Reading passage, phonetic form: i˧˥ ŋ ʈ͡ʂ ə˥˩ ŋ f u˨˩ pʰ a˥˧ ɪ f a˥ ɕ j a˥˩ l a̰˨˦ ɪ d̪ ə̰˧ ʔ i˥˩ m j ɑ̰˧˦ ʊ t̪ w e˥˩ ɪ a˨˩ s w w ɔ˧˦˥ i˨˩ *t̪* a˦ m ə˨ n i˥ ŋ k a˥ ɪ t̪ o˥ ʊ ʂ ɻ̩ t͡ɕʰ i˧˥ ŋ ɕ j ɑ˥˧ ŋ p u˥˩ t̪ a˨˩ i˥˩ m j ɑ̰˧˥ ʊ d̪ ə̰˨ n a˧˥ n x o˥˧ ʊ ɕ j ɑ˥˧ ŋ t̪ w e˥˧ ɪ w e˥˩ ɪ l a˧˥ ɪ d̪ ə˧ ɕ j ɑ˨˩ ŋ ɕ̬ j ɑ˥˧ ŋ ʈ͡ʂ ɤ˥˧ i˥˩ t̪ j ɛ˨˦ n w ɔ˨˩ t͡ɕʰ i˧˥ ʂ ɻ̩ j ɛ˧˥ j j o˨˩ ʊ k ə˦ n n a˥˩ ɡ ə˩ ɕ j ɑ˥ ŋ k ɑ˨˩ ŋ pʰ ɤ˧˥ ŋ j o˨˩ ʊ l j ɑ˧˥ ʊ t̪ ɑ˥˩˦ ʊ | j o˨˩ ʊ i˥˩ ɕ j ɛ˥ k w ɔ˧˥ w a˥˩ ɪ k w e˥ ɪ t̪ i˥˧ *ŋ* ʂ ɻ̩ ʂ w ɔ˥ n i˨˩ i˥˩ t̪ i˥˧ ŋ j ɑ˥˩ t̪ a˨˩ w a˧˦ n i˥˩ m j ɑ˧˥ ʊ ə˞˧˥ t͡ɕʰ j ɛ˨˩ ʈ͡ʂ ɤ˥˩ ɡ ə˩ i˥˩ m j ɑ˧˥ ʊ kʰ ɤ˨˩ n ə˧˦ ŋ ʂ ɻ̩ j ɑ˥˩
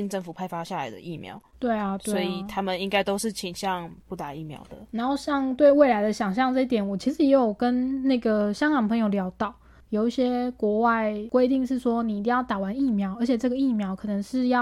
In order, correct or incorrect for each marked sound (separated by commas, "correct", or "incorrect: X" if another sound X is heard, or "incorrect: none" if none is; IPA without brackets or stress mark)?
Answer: incorrect: t̪ʰ, correct